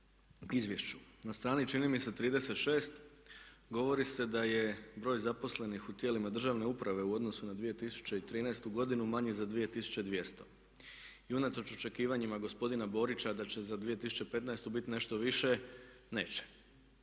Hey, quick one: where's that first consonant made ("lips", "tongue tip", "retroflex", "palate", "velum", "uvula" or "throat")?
tongue tip